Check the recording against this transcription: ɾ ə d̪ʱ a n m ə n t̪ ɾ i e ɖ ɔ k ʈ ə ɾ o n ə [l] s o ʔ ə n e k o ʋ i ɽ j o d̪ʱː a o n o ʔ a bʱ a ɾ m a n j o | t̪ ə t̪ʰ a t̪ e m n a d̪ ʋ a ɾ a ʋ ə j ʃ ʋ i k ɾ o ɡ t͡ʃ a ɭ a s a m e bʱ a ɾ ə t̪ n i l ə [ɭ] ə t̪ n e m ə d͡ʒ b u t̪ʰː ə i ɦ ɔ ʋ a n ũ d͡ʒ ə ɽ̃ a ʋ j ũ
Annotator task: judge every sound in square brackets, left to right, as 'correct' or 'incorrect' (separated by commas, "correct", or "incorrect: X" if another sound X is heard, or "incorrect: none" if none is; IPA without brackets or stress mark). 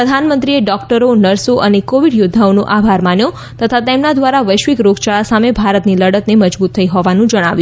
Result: incorrect: ɾ, incorrect: ɽ